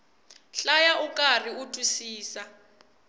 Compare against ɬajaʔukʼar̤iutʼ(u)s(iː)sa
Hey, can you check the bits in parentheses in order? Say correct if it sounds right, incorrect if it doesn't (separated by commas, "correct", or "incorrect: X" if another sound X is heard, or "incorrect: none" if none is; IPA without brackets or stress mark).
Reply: correct, correct